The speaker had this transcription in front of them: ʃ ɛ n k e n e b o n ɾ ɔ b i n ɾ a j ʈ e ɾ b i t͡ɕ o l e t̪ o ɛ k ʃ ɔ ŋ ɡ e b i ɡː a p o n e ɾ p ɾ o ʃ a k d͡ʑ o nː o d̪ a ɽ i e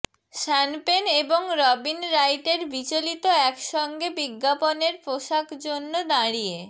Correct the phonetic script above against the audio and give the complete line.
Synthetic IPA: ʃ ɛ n p e n e b o ŋ ɾ ɔ b i n ɾ a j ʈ e ɾ b i t͡ɕ o l i t̪ o ɛ k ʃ ɔ ŋ ɡ e b i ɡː a p o n e ɾ p ɾ o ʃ a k d͡ʑ o nː o d̪ a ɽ i e